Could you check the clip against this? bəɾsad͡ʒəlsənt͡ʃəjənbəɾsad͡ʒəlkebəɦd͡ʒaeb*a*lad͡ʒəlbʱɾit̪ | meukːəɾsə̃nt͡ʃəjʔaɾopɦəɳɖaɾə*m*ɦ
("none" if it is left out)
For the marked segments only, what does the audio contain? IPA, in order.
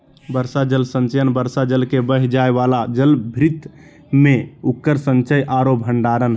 a, n

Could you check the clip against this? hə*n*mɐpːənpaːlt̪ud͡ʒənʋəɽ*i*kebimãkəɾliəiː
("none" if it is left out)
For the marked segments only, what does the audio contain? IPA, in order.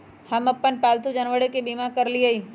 none, e

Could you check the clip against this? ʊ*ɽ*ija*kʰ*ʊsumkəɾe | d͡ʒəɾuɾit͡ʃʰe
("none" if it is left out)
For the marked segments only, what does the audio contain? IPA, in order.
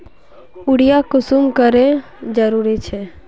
ɽ, k

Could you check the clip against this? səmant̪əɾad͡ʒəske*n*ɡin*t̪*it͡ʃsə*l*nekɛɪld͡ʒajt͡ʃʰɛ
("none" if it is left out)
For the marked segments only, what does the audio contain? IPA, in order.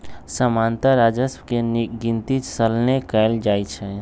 n, t̪, l

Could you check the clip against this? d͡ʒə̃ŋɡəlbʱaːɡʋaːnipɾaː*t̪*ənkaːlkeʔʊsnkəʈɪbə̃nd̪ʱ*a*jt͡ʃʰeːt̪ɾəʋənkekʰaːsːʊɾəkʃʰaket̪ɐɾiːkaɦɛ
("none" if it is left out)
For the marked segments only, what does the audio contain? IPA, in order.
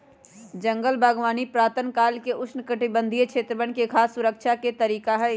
t̪, i

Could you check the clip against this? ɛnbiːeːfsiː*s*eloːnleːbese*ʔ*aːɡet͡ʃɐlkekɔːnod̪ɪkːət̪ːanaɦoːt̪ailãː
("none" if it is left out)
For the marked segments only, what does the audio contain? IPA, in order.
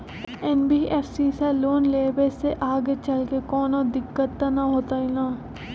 s, ʔ

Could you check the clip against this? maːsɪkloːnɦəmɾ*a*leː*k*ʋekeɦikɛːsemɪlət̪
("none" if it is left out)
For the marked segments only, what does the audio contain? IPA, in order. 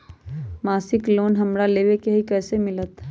a, none

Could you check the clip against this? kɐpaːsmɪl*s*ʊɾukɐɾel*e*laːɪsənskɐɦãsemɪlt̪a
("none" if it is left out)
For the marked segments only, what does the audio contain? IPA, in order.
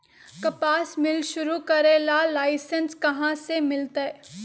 ʃ, a

